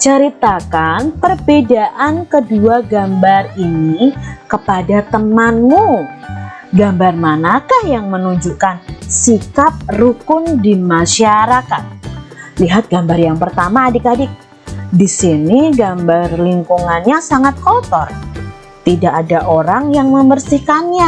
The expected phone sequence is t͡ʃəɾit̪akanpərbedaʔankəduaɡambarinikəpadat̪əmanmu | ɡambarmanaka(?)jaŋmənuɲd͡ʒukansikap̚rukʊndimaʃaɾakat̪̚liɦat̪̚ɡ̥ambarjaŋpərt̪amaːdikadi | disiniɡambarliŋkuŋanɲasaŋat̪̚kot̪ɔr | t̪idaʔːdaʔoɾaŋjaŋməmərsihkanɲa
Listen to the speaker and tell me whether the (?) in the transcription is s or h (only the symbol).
h